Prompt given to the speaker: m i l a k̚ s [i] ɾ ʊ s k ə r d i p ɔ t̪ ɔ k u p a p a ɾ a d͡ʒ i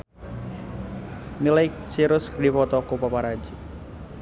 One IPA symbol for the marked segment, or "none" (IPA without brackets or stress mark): i